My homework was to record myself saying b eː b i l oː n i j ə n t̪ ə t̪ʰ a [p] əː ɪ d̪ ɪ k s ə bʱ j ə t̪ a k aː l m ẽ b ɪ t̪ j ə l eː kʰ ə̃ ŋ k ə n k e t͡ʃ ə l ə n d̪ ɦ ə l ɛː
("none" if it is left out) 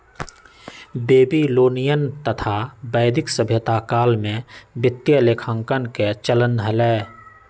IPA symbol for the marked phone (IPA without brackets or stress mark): b